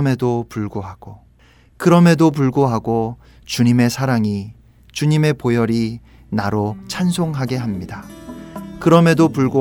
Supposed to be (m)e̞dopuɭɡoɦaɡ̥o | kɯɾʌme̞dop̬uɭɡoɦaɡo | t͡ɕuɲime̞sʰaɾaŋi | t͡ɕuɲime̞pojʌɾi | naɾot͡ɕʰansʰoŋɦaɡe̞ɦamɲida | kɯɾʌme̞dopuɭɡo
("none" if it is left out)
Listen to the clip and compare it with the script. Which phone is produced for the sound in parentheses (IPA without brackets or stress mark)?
m